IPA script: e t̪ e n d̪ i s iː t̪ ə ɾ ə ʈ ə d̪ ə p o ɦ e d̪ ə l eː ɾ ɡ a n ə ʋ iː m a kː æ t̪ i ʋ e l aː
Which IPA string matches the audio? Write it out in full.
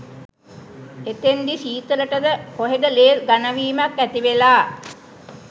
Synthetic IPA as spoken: e t̪ e n d̪ i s iː t̪ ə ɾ ə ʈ ə d̪ ə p o ɦ e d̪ ə l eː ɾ ɡ a n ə ʋ iː m a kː æ t̪ i ʋ e l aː

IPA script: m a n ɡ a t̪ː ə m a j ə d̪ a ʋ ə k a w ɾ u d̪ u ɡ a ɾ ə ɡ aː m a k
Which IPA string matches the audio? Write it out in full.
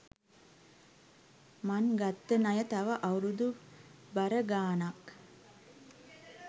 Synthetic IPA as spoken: m a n ɡ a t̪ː ə n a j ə t̪ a ʋ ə ʔ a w ɾ u d̪ u b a ɾ ə ɡ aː n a k

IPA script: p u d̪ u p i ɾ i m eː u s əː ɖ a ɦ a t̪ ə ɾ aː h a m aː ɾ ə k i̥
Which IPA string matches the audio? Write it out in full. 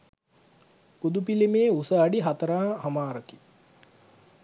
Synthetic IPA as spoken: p u d̪ u p i l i m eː u s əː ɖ i ɦ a t̪ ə ɾ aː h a m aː ɾ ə k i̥

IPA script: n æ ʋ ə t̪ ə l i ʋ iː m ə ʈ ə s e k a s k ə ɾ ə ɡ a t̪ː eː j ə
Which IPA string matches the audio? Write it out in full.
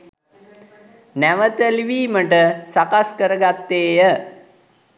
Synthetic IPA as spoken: n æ ʋ ə t̪ ə l i ʋ iː m ə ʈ ə s a k a s k ə ɾ ə ɡ a t̪ː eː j ə

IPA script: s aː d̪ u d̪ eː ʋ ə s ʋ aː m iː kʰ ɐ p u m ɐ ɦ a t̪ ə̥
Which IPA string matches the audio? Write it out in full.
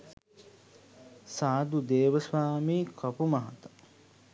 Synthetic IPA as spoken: s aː d̪ u d̪ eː ʋ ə s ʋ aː m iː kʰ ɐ p u m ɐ ɦ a t̪ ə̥

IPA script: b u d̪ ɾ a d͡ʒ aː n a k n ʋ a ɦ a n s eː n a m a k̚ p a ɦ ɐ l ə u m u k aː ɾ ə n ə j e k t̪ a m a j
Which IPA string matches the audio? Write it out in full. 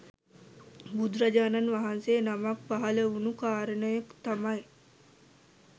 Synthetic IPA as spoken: b u d̪ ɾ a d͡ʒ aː n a n ʋ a ɦ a n s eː n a m a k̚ p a ɦ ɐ l ə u n u k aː ɾ ə n ə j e k t̪ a m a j

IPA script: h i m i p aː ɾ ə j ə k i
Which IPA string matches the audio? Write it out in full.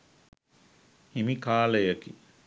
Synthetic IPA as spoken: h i m i k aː l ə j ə k i

